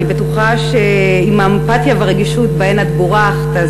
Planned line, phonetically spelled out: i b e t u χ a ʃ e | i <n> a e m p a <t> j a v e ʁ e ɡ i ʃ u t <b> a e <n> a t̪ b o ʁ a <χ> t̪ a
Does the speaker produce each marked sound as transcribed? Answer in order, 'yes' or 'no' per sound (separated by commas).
no, yes, yes, yes, yes